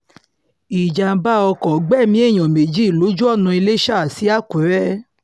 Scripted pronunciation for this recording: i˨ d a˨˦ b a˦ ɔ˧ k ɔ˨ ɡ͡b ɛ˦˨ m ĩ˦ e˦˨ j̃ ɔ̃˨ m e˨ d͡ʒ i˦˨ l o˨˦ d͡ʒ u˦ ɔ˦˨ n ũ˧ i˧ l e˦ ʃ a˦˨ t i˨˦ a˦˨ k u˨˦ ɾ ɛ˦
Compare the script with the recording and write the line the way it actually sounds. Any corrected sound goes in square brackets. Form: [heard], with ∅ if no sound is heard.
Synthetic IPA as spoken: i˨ [d͡ʒ] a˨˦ b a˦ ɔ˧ k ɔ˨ ɡ͡b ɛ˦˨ m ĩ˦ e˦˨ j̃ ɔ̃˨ m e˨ d͡ʒ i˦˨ l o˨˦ d͡ʒ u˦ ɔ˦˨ n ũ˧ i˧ l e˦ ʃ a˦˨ [s] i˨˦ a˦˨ k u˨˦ ɾ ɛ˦